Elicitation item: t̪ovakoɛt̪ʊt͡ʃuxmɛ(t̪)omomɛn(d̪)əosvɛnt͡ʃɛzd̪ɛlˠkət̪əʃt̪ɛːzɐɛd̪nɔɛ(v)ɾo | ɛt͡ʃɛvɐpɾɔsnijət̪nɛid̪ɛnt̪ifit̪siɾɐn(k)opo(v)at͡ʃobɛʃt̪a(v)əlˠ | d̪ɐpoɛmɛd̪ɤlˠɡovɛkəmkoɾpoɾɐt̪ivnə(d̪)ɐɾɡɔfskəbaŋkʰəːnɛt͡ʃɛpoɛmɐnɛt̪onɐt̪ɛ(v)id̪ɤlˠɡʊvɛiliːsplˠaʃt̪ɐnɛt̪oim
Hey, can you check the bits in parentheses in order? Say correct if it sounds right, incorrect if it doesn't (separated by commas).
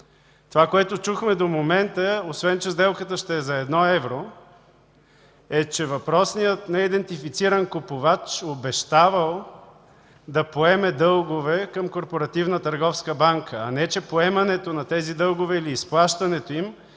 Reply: incorrect, incorrect, correct, correct, correct, correct, incorrect, incorrect